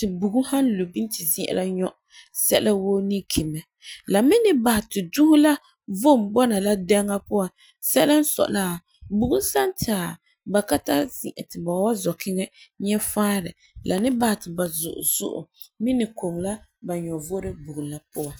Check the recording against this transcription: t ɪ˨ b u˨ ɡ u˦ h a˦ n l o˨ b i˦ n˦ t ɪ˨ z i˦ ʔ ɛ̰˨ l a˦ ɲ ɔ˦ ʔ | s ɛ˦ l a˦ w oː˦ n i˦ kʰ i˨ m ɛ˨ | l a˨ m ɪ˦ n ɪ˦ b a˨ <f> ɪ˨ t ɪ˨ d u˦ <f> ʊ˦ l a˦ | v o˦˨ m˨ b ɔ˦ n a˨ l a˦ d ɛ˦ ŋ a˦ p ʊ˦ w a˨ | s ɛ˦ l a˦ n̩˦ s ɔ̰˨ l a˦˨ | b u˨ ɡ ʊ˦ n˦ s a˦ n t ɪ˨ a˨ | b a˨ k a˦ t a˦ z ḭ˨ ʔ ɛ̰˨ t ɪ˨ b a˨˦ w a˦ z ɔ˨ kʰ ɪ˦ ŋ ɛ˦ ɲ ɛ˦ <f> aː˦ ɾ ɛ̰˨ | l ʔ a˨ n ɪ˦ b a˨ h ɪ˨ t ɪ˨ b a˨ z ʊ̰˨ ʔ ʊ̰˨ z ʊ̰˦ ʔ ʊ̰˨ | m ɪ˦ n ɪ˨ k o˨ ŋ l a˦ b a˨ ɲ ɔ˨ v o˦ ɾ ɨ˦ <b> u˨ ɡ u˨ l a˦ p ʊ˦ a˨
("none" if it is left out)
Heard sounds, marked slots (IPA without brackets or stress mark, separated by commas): h, h, f, b